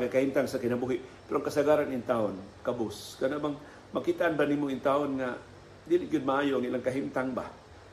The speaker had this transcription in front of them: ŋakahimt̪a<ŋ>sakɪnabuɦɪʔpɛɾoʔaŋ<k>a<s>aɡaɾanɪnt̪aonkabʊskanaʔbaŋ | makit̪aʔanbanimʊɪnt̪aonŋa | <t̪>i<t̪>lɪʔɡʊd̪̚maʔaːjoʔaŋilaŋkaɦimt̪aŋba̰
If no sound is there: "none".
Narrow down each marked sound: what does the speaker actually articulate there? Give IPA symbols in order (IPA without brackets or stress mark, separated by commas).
ŋ, k, s, d̪, none